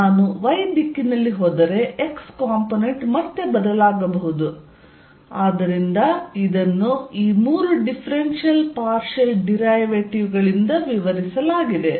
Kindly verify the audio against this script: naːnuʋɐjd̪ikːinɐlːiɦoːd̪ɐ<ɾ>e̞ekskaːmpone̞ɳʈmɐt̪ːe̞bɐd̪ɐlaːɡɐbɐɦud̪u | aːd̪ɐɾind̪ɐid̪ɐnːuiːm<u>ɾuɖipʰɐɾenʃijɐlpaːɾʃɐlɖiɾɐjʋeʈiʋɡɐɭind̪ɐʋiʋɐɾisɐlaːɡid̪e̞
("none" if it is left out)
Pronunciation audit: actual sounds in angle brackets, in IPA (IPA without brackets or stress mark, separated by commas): ɾ, uː